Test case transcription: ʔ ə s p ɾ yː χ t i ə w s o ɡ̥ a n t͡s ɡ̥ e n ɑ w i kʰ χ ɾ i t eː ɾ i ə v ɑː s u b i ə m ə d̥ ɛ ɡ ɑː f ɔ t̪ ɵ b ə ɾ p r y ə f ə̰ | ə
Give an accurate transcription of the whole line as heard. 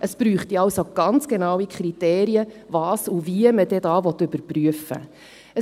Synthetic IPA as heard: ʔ ə s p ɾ yː χ t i ɑ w s o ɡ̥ ɑ n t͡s ɡ̥ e n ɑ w i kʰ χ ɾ i t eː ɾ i ə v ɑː s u v i ə m ə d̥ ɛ d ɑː v ɔ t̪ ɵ b ə ɾ p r y ə f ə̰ | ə